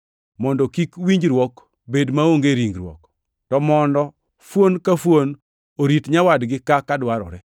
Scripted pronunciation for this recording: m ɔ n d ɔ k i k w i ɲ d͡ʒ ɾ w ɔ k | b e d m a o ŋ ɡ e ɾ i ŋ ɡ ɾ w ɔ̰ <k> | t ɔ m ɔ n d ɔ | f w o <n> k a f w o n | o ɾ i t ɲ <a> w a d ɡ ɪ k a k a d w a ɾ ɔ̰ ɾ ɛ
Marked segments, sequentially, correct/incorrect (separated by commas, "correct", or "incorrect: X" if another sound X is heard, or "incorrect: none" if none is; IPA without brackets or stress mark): correct, correct, correct